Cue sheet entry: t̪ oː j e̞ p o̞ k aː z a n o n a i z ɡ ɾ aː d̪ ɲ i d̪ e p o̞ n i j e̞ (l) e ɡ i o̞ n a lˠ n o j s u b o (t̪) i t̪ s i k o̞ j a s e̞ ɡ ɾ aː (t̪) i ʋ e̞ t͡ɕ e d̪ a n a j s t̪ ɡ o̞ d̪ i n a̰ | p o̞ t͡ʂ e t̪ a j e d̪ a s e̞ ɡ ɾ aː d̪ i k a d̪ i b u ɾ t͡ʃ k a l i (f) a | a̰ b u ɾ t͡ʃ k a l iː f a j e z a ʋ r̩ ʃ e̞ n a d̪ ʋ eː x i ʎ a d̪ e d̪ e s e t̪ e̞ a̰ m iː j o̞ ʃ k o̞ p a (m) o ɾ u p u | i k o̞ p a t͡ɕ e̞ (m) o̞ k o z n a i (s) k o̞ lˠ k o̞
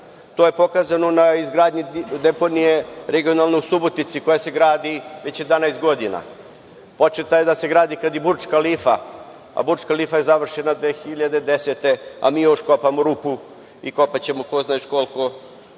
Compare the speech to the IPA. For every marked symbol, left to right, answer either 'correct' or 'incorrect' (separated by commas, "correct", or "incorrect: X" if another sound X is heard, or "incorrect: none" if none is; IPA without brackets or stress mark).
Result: incorrect: ɾ, correct, incorrect: d̪, correct, correct, correct, incorrect: ʃ